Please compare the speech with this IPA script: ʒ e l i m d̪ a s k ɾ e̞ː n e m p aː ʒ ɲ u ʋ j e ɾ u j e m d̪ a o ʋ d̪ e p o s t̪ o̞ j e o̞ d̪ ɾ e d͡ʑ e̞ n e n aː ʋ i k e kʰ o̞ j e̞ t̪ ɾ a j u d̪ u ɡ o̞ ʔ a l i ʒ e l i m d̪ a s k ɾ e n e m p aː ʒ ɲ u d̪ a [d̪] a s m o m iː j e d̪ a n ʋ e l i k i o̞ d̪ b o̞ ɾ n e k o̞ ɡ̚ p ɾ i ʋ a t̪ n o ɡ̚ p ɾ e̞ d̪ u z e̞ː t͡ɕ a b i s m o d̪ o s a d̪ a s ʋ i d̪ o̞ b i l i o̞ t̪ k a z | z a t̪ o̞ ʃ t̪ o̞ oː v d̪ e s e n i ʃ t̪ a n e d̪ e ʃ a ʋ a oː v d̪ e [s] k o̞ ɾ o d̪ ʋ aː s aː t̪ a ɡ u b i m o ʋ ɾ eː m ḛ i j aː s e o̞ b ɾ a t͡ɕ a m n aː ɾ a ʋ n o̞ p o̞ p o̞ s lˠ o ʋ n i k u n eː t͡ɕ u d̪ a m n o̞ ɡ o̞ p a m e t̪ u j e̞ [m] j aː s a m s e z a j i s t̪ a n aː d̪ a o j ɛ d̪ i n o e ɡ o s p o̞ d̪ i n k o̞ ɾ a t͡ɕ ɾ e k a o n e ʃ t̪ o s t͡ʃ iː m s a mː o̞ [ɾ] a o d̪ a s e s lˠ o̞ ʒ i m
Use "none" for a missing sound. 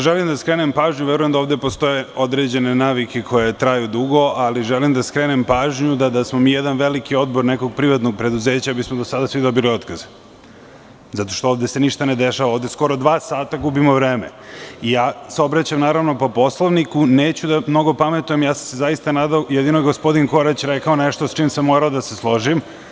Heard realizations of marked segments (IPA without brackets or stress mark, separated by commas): d̪, s, m, ɾ